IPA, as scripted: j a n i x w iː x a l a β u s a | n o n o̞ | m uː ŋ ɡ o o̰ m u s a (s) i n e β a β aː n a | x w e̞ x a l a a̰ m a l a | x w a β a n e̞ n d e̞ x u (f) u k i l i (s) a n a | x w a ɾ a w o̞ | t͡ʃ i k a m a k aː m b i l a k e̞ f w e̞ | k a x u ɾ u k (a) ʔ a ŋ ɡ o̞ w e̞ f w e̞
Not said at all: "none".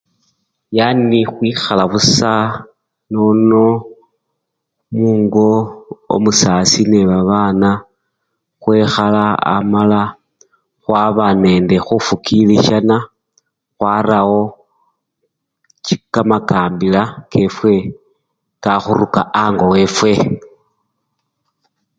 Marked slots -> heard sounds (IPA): s, f, ʃ, a

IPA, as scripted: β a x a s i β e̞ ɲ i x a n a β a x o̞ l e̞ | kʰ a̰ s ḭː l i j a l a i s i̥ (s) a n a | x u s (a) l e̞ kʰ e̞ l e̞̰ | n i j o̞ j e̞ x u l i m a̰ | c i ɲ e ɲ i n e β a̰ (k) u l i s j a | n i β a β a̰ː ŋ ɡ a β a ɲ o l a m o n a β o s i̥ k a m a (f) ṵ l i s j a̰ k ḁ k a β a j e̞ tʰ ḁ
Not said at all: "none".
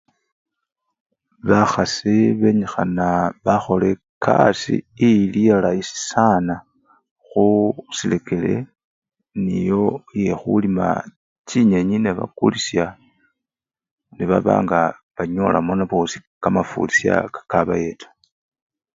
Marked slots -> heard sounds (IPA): s, i, k, f

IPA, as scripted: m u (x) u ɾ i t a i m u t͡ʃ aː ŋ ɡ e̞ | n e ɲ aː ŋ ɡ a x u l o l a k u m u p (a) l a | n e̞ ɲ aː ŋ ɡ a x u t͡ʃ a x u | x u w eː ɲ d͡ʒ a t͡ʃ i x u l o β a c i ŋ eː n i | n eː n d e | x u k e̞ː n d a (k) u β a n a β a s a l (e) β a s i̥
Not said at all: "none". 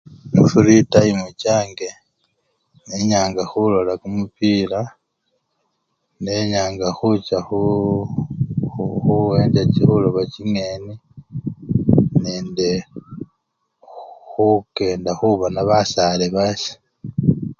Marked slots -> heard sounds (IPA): f, i, x, e

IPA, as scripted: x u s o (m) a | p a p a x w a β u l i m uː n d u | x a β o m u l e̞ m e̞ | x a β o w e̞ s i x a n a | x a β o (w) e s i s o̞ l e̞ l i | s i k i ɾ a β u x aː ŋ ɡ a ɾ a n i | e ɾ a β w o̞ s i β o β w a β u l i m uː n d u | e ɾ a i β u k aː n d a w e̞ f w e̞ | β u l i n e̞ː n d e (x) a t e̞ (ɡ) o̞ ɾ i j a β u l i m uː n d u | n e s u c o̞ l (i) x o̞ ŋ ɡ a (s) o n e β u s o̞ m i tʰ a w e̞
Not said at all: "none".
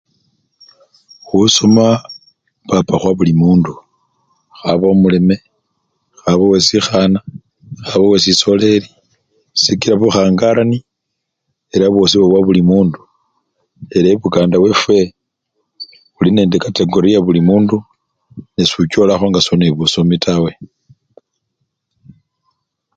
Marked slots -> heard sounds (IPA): m, w, k, ɡ, a, s

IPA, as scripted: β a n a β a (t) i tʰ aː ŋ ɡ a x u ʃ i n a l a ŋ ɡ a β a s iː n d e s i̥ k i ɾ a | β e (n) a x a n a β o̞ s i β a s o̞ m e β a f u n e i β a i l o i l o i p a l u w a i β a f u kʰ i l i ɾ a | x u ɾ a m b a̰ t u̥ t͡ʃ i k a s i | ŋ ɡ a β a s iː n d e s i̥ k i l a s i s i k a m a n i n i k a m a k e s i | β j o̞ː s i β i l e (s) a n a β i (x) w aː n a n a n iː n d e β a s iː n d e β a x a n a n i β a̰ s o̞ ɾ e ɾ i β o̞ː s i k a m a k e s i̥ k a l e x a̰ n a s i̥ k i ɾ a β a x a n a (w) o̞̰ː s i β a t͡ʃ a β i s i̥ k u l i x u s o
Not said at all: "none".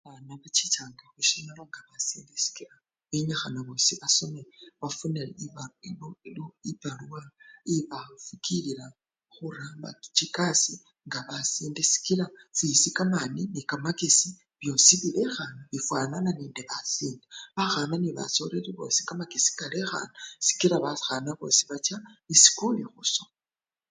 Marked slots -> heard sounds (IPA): t͡ʃ, ɲ, x, f, β

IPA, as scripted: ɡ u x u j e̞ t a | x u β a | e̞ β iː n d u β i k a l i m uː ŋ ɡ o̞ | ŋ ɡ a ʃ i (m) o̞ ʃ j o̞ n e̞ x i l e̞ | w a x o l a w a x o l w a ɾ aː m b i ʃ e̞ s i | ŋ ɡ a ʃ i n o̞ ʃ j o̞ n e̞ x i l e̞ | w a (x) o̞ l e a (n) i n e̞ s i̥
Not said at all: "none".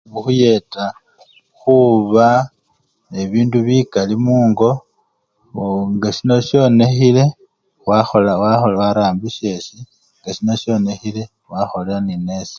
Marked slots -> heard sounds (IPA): n, x, n

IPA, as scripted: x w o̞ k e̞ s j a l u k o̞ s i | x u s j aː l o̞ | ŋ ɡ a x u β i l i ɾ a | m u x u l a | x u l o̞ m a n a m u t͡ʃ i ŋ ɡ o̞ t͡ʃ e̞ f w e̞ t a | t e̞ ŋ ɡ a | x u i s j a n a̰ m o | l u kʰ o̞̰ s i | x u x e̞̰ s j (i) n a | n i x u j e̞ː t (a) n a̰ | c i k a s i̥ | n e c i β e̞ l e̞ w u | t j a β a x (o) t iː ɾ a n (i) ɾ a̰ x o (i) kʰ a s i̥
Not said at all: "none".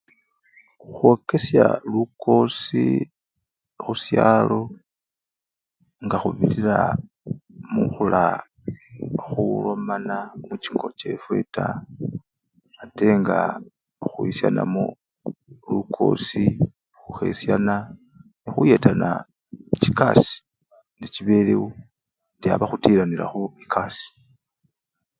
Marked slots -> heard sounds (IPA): a, a, u, i, i

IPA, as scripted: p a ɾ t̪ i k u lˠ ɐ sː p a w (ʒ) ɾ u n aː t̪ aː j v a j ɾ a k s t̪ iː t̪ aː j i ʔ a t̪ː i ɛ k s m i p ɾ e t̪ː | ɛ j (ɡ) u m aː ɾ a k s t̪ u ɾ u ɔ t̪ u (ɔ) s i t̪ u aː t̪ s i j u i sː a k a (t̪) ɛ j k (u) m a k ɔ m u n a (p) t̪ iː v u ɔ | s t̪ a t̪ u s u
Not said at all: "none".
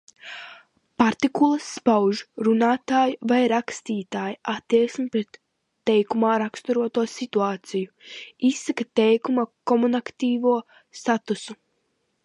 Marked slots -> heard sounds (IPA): ʒ, k, ɔ, t̪, u, k

